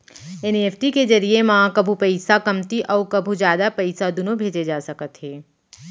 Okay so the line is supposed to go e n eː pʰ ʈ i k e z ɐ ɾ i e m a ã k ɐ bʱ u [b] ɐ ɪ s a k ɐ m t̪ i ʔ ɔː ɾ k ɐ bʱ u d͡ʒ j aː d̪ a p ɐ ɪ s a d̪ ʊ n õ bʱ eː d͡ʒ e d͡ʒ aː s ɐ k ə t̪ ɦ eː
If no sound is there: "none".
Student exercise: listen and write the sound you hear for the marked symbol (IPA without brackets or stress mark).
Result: p